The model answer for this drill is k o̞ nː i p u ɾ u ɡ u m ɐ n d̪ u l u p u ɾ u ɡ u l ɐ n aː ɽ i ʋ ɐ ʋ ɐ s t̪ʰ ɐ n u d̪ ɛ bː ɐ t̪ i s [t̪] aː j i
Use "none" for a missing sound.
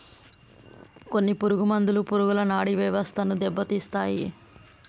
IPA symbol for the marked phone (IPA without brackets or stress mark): t̪